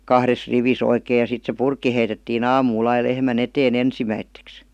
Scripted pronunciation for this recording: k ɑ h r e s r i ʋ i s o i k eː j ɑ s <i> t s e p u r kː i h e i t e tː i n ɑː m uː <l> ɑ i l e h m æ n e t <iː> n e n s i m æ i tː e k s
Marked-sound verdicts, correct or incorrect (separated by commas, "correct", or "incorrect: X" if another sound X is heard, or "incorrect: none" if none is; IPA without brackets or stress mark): correct, correct, incorrect: eː